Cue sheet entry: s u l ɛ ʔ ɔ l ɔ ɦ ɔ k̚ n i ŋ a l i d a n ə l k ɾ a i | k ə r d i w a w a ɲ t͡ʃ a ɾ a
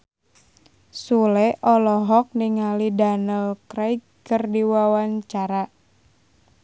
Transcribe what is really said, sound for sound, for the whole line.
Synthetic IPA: s u l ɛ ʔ ɔ l ɔ ɦ ɔ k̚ n i ŋ a l i d a n ə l k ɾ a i | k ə r d i w a w a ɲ t͡ʃ a ɾ a